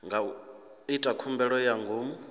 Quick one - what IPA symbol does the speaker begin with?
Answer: ŋ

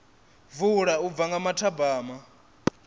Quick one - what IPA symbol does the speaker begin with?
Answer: v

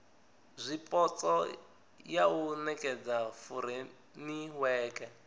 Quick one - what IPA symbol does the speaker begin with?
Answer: zʷ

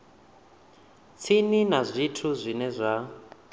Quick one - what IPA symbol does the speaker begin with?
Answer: t͡sʰ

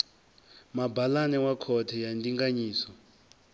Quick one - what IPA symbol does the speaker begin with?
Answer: m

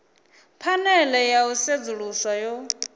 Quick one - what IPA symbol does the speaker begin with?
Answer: pʰ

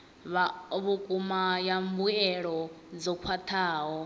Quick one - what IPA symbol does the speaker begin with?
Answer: β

